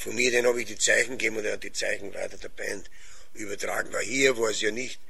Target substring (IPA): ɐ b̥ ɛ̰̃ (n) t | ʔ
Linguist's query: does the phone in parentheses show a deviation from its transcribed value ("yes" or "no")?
no